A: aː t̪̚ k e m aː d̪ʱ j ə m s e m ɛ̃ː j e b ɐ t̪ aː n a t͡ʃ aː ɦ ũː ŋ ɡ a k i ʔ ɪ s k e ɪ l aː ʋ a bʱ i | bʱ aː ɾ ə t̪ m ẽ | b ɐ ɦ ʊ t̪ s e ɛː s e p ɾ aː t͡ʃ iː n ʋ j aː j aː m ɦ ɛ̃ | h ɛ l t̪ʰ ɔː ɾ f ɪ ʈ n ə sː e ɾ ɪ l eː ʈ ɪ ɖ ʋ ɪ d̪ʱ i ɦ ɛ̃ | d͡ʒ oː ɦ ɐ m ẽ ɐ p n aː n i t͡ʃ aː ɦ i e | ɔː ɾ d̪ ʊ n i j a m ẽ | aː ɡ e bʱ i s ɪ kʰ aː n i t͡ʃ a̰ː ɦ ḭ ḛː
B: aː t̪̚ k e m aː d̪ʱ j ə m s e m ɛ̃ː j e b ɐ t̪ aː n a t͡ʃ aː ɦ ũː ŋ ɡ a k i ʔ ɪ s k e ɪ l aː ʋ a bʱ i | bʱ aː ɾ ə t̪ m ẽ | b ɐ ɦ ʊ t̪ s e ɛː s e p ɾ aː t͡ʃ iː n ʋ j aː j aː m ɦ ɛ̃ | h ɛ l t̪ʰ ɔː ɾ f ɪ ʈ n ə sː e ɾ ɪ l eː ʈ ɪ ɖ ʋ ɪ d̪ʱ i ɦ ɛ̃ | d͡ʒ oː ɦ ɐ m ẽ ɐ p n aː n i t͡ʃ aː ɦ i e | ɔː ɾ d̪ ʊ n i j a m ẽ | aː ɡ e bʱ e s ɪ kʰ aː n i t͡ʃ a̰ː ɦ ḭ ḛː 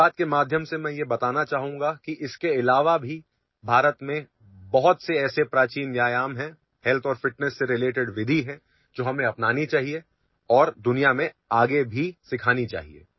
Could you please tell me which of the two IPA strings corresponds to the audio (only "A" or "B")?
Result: A